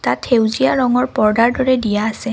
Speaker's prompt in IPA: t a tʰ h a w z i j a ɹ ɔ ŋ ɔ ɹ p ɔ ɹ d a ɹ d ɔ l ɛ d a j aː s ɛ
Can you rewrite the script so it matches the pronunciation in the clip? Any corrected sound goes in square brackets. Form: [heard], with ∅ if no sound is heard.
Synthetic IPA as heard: t a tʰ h [e] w z i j a ɹ ɔ ŋ ɔ ɹ p ɔ ɹ d a ɹ d ɔ [ɹ] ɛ d [i] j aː s ɛ